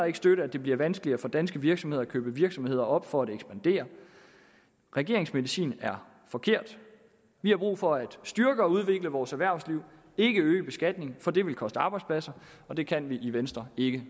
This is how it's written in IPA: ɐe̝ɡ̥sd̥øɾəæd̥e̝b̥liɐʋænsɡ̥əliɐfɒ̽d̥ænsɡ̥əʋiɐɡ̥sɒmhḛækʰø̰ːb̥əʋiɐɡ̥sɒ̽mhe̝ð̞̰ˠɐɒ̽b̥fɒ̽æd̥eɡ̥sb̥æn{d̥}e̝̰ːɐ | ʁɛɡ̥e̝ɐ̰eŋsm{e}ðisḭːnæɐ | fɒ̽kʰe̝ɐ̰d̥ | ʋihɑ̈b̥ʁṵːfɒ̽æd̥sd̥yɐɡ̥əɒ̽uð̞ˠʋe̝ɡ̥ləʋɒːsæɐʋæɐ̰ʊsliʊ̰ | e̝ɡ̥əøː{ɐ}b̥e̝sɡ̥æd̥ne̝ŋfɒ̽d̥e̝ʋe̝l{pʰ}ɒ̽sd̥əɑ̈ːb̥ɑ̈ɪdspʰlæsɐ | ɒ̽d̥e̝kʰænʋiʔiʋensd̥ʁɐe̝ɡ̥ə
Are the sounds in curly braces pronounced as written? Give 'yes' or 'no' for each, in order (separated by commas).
yes, yes, no, no